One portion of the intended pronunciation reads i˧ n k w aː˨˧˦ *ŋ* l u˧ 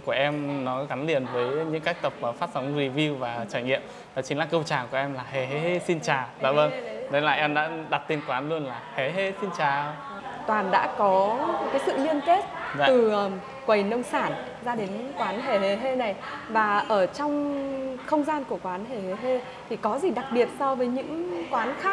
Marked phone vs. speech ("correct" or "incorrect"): incorrect